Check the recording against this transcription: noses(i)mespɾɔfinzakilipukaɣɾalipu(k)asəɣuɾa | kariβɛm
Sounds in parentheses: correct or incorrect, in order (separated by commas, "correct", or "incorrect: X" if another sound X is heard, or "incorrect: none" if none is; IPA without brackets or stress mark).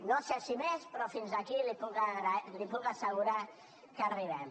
correct, correct